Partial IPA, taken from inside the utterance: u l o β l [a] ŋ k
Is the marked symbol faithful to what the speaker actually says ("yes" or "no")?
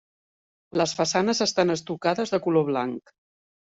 yes